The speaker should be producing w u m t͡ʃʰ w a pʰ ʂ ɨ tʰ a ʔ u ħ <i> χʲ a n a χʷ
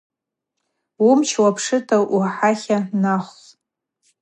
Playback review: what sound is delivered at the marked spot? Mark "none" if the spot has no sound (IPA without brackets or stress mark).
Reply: a